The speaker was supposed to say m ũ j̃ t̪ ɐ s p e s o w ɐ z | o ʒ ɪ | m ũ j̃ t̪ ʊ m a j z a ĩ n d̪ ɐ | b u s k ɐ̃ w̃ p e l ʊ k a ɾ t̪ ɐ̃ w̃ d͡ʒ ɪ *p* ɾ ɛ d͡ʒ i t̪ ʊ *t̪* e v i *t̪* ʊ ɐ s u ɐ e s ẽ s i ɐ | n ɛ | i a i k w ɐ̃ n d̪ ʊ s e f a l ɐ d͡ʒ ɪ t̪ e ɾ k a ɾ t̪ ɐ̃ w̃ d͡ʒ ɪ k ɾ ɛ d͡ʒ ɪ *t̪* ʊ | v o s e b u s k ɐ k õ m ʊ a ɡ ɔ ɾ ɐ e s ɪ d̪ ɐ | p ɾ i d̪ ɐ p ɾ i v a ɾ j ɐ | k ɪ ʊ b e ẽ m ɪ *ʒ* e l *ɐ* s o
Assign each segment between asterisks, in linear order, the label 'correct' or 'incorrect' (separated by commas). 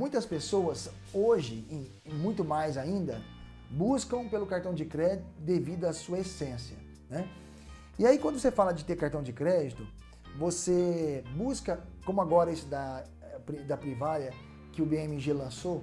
incorrect, incorrect, incorrect, correct, correct, incorrect